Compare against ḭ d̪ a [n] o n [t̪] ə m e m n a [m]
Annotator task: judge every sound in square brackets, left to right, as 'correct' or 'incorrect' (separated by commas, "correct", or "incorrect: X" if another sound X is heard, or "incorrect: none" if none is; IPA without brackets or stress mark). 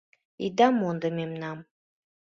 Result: incorrect: m, incorrect: d̪, correct